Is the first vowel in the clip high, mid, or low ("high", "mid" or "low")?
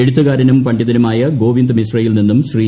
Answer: mid